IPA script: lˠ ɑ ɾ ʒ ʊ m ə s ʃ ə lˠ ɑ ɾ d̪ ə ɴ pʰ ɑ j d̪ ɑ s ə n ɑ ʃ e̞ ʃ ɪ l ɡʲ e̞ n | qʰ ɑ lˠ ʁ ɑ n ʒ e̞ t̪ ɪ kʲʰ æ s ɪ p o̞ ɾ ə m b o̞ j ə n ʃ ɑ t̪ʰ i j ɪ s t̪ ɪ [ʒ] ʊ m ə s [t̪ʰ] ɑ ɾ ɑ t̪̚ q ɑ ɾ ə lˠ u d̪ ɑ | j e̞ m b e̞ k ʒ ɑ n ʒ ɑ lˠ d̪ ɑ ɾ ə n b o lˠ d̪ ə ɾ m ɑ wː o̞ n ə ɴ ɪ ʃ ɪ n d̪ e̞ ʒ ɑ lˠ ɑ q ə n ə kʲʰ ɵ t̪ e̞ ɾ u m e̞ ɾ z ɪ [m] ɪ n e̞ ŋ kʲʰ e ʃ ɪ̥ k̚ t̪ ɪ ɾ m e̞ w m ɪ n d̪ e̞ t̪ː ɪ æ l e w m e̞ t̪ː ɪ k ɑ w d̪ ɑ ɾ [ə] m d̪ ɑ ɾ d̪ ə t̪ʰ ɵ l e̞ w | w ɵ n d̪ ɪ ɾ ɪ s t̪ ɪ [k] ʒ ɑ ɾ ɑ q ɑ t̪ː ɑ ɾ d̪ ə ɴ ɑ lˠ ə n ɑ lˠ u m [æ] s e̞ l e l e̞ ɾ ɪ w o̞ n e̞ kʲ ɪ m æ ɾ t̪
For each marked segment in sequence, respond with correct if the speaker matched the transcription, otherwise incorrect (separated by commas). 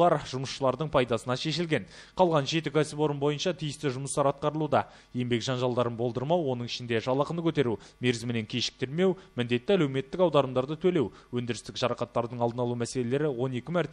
correct, incorrect, correct, correct, correct, correct